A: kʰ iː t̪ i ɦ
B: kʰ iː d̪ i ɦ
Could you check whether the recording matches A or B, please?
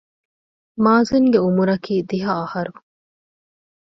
B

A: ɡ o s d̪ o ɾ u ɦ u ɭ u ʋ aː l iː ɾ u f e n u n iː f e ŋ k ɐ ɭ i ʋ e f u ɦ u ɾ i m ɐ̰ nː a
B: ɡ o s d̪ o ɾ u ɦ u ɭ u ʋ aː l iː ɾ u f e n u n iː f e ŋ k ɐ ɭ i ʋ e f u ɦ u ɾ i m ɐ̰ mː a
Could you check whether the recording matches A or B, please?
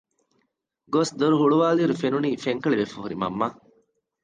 B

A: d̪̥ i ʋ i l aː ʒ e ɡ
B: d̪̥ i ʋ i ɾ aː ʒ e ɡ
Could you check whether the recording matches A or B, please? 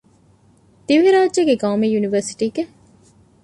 B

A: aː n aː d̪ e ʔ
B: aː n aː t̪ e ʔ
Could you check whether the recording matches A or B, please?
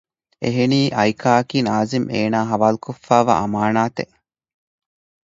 B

